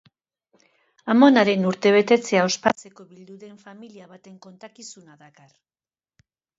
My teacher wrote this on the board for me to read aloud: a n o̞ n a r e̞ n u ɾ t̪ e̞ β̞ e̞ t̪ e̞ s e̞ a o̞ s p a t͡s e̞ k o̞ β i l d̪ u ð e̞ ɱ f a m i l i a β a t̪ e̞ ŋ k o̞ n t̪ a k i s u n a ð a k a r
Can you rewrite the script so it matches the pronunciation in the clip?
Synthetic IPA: a m o̞ n a ɾ e̞ n u ɾ t̪ e̞ β̞ e̞ t̪ e̞ t͡s e̞ a o̞ s p a t͡s e̞ k o̞ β i l d̪ u ð e̞ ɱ f a m i l i a β a t̪ e̞ ŋ k o̞ n t̪ a k i s u n a ð a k a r